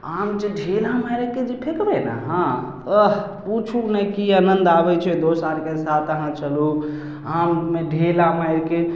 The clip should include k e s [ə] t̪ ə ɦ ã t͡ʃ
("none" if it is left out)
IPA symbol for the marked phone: a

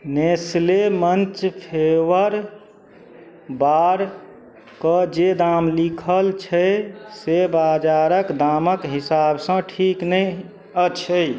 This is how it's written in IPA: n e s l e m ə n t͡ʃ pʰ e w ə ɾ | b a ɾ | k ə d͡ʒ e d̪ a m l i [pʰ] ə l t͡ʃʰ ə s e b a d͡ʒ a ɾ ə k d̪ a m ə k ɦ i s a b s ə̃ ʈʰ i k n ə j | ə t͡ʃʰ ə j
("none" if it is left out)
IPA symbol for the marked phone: kʰ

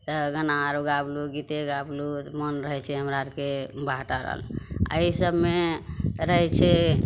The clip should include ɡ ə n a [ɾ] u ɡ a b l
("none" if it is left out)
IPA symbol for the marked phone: ɾ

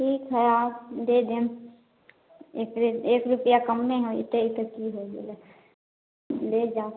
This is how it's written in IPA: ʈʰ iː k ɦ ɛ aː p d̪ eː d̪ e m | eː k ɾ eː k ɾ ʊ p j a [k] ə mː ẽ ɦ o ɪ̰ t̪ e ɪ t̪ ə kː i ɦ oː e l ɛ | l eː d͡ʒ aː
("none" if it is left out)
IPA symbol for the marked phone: k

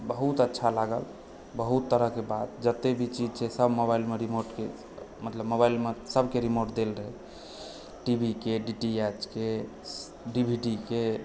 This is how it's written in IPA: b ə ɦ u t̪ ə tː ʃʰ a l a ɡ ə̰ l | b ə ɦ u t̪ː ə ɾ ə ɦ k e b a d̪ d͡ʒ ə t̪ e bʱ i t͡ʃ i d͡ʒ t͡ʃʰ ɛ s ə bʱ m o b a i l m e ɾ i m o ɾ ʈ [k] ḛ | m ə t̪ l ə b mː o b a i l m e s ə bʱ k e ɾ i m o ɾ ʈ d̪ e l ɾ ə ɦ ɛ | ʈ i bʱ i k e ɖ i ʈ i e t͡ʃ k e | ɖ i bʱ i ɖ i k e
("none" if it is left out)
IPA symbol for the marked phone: k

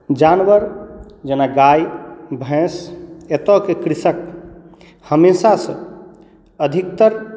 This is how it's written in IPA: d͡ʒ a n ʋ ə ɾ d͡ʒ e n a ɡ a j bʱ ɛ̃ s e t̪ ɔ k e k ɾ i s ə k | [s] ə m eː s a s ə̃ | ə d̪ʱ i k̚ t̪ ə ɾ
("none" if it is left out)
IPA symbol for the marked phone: h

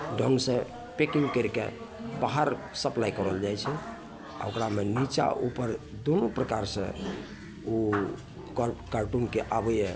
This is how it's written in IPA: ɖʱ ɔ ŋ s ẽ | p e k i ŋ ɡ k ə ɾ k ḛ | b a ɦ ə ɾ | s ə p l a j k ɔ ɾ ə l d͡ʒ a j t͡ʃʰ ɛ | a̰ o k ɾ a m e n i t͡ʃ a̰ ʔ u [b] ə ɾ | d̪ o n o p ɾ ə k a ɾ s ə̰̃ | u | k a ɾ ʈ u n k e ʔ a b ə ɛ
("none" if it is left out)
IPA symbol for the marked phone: p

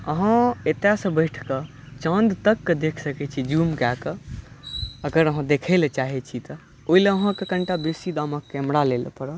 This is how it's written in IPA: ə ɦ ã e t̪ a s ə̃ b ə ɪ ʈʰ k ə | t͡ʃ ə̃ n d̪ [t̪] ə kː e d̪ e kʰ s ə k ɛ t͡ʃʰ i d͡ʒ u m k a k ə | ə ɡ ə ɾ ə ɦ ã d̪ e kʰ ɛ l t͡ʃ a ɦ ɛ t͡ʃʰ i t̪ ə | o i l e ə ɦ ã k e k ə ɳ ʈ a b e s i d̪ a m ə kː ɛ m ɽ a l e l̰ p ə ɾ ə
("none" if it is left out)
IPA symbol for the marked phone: t̪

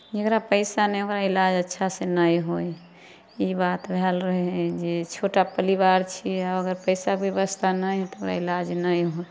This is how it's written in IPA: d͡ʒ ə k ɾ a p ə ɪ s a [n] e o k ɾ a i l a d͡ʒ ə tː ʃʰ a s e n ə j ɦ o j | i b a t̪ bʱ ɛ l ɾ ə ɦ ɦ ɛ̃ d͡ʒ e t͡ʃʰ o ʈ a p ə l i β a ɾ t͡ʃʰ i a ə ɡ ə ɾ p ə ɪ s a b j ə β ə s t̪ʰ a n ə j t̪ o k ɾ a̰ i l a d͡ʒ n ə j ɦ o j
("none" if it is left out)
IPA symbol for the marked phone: n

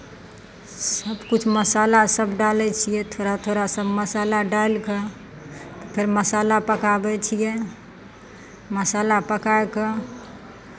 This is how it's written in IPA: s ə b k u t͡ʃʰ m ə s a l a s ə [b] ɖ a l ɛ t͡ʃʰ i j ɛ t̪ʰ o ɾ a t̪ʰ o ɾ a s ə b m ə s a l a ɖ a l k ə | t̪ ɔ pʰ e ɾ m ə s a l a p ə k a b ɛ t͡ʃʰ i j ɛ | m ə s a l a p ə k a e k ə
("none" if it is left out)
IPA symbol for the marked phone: b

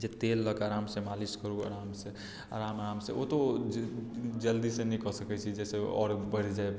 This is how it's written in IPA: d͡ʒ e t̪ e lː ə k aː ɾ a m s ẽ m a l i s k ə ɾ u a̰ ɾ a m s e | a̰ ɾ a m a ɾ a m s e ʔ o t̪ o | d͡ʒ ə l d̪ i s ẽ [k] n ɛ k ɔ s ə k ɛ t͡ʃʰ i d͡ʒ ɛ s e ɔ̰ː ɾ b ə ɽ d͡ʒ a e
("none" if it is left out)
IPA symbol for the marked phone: none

